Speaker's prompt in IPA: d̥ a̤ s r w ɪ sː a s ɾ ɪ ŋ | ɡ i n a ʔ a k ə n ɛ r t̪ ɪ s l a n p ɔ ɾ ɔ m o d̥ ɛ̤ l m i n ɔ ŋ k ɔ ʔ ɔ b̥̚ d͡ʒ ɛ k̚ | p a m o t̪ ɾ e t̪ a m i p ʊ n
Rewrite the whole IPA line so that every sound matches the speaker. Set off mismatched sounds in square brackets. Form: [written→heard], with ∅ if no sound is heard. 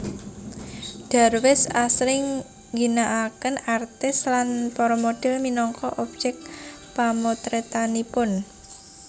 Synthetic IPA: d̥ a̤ [s→∅] r w ɪ [sː→s] a s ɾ ɪ ŋ | ɡ i n a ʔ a k ə n [ɛ→a] r t̪ ɪ s l a n p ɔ ɾ ɔ m o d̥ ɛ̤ l m i n ɔ ŋ k ɔ ʔ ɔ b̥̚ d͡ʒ ɛ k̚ | p a m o t̪ ɾ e t̪ a [m→n] i p ʊ n